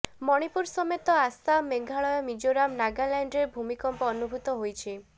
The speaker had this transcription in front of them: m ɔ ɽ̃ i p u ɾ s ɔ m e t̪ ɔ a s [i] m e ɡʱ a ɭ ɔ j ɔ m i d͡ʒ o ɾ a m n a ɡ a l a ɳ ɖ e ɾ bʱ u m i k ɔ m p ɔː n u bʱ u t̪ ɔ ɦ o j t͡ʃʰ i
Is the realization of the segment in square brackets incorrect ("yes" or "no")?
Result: yes